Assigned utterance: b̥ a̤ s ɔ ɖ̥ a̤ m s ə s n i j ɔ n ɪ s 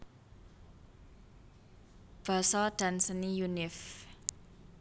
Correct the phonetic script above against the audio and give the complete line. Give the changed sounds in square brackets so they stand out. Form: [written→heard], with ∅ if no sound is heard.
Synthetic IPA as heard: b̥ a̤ s ɔ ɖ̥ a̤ [m→n] s ə [s→∅] n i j [ɔ→u] n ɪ [s→f]